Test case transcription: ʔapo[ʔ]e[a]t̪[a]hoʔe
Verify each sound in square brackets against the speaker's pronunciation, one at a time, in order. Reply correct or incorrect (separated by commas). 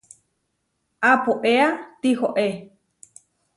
correct, correct, incorrect